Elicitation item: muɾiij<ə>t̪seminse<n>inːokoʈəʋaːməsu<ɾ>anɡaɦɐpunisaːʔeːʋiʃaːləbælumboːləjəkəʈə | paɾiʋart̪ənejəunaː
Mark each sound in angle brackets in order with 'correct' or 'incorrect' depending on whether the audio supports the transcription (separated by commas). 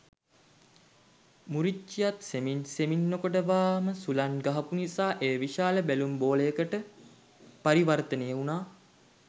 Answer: incorrect, incorrect, incorrect